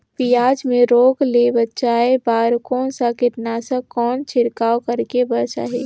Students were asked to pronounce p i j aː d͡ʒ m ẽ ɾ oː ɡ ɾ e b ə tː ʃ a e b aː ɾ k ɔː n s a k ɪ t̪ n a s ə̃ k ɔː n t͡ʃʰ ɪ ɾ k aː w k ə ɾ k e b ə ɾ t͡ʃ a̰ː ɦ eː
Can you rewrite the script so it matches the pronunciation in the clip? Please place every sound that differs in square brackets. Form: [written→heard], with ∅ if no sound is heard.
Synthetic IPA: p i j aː d͡ʒ m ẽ ɾ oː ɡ [ɾ→l] e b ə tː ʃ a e b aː ɾ k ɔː n s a k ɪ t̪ n a s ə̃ k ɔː n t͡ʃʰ ɪ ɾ k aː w k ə ɾ k e b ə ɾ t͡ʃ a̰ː ɦ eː